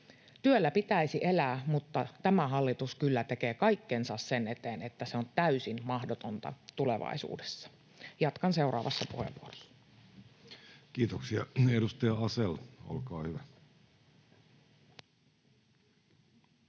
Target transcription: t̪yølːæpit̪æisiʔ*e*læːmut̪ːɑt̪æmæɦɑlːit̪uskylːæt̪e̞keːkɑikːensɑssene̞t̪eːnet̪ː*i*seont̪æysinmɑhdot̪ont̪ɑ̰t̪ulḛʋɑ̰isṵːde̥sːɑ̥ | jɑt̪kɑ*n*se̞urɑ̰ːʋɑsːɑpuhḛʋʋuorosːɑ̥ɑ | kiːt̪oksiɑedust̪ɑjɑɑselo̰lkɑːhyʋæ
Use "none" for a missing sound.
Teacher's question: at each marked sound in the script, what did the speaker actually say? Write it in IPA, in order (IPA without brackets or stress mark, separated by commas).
e, æ, n